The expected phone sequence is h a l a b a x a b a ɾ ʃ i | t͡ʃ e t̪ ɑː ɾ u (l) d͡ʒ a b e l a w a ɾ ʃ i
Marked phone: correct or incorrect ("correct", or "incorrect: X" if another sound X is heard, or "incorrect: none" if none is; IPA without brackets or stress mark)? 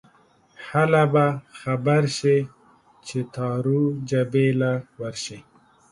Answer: incorrect: none